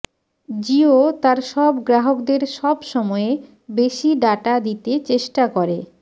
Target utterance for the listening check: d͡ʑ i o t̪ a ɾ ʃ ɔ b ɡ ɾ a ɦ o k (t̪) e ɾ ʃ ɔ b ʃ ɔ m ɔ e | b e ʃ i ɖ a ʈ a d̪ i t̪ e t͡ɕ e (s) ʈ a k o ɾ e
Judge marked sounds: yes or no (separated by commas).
no, no